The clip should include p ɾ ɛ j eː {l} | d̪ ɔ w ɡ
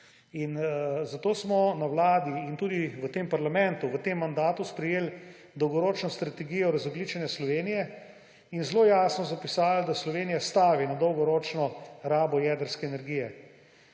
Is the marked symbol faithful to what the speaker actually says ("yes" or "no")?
yes